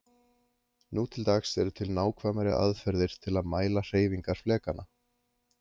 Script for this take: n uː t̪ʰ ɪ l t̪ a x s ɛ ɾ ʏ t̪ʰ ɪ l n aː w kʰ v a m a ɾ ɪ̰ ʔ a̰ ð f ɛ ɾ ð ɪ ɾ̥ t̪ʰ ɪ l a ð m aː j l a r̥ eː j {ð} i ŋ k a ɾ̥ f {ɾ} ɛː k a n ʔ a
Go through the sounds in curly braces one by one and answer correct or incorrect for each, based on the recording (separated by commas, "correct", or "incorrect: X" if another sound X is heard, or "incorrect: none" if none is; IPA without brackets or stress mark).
incorrect: v, incorrect: l